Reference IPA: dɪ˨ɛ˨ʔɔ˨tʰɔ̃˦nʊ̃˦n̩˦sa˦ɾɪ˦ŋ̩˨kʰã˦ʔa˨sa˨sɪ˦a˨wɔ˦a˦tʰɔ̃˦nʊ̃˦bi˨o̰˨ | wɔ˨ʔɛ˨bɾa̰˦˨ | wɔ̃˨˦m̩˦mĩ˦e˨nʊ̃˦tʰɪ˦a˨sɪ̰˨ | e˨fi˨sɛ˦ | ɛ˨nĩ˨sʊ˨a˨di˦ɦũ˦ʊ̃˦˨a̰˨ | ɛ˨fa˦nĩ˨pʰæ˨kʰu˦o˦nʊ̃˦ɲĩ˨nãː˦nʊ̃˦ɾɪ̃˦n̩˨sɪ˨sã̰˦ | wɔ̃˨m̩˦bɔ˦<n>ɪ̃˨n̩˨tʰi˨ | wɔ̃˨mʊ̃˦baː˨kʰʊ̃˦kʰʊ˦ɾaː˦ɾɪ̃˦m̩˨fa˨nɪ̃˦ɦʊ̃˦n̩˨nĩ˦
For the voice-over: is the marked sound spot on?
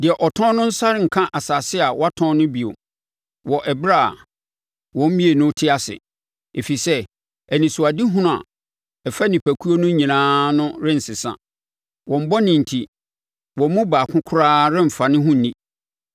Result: yes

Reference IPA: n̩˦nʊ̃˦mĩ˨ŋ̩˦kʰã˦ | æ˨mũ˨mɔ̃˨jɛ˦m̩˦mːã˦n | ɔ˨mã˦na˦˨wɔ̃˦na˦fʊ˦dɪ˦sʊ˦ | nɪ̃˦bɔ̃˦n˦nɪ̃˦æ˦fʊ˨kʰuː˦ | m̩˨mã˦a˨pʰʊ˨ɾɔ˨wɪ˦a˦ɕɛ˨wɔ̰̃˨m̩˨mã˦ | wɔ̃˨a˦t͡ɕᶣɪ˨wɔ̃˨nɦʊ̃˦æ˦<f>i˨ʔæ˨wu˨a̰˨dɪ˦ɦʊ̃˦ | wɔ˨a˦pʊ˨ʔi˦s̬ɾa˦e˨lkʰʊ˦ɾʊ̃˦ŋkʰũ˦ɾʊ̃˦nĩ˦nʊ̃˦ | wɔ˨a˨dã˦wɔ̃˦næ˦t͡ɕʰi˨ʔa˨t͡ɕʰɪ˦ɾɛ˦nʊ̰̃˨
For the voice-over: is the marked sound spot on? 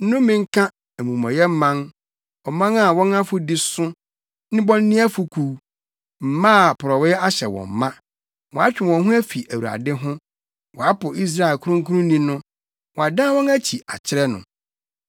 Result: yes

